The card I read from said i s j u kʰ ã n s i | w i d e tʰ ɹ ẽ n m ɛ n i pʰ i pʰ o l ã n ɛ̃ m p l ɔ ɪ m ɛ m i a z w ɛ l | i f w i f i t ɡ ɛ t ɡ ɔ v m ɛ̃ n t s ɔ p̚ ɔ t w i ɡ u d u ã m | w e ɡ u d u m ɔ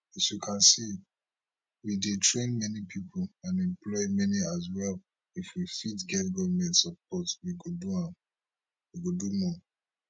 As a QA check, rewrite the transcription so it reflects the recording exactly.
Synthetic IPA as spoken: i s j u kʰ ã n s i | w i d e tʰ ɹ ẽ n m ɛ n i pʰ i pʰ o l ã n ɛ̃ m p l ɔ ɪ m ɛ n i a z w ɛ l | i f w i f i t ɡ ɛ t ɡ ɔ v m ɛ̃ n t s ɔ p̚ ɔ t w i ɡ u d u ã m | w i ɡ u d u m ɔ